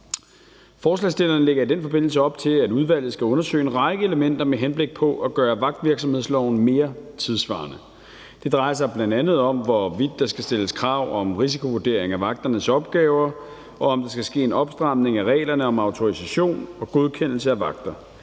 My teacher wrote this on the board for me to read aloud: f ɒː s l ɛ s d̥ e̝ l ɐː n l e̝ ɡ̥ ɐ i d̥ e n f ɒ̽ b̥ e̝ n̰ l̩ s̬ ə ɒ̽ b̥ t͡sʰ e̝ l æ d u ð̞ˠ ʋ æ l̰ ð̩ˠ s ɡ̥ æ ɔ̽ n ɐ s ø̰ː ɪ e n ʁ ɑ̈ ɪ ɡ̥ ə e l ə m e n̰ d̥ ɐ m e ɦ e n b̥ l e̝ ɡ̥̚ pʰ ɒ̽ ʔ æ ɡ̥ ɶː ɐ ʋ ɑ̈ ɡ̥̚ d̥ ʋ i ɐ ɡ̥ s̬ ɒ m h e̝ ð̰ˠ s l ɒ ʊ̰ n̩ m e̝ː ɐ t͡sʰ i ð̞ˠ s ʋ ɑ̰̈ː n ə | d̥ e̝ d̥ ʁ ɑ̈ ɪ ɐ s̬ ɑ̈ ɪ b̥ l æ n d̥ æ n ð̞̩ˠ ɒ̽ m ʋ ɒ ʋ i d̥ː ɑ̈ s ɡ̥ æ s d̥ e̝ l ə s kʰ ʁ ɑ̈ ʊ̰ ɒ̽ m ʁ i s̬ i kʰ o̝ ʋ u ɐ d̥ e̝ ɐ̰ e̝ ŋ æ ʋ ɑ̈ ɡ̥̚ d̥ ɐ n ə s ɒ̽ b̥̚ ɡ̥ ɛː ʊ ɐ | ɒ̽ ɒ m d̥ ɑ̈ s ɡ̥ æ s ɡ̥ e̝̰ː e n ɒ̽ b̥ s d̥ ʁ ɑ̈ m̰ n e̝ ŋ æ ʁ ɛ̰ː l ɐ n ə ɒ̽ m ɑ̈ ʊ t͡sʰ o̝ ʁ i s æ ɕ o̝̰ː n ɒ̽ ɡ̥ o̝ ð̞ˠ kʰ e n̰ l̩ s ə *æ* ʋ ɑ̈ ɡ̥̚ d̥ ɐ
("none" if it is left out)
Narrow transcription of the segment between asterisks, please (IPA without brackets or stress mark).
æ